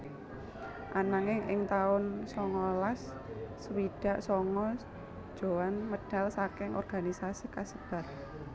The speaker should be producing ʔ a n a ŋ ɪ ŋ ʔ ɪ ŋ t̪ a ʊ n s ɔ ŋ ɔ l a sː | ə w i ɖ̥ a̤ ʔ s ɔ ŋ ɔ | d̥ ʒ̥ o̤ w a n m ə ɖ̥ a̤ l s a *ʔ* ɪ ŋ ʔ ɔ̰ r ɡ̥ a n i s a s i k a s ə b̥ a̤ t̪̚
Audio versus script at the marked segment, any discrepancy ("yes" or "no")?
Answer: yes